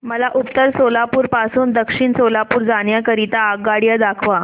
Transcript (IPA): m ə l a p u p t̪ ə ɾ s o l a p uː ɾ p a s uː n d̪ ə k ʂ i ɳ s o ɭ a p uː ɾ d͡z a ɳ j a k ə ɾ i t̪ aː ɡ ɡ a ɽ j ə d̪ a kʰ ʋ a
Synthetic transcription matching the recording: m ə l a ʔ u p t̪ ə ɾ s o l a p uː ɾ p a s uː n d̪ ə k ʂ i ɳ s o l a p uː ɾ d͡z a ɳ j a k ə ɾ i t̪ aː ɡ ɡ a ɽ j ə d̪ a kʰ ʋ a

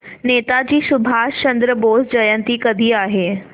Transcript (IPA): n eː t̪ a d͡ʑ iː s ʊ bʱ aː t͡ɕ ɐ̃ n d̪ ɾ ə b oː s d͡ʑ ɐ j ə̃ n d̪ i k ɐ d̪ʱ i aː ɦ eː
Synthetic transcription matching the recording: n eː t̪ a d͡ʑ iː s ʊ bʱ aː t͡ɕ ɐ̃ n d̪ ɾ ə b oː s d͡ʑ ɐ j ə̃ n t̪ i k ɐ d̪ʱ i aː ɦ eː

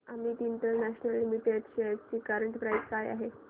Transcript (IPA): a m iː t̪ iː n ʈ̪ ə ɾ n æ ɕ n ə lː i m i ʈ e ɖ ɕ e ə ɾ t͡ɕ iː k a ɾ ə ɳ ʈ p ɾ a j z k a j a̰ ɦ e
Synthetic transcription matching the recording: a m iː t̪ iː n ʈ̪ ə ɾ n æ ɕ n ə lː i m i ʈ e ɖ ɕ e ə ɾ t͡ɕ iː k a ɾ ə ɳ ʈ p ɾ a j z k a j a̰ ɦ e

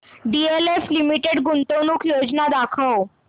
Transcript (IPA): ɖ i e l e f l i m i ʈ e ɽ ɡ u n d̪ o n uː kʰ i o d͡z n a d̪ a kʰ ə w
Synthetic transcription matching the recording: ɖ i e l e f l i m i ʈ e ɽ ɡ u n t̪ o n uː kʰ j o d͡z n a d̪ a kʰ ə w

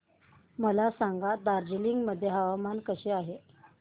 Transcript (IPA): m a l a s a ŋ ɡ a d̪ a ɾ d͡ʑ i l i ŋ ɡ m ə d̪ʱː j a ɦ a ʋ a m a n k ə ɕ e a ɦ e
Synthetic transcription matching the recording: m ə l a s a ŋ ɡ a d̪ a ɾ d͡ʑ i l i ŋ ɡ m ə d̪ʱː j e ɦ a ʋ a m a n k ə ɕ e a ɦ e

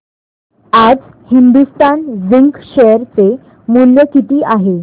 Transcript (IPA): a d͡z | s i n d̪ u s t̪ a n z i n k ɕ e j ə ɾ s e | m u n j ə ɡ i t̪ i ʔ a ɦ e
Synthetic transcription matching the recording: a d͡z | h i n d̪ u s t̪ a n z i ŋ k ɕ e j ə ɾ t͡s e | m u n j ə k i t̪ iː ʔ a ɦ e

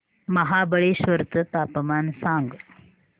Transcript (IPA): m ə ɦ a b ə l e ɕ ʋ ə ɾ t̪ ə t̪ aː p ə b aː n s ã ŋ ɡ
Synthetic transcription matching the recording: m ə ɦ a b ə ɭ e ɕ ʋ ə ɾ t̪ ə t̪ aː p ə m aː n s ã ŋ ɡ

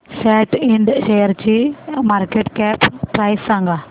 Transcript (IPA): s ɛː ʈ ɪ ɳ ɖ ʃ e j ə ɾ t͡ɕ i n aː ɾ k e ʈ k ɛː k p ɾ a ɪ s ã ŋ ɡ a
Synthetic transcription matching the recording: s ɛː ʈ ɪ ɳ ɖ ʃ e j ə ɾ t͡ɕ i m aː ɾ k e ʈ k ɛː p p ɾ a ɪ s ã ŋ ɡ a

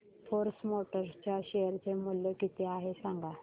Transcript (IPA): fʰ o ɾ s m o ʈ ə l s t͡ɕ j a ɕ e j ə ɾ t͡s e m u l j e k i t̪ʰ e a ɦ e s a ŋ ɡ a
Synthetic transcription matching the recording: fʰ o ɾ s m o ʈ ə ɾ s t͡ɕ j a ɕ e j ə ɾ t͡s e m u l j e k i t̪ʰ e a ɦ e s a ŋ ɡ a

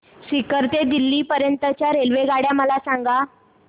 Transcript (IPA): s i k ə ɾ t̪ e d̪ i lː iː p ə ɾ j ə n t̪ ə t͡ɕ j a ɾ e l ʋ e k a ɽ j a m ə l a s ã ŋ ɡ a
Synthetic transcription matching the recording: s i k ə ɾ t̪ e d̪ i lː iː p ə ɾ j ə n t̪ ə t͡ɕ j a ɾ e l ʋ e ɡ a ɽ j a m ə l a s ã ŋ ɡ a

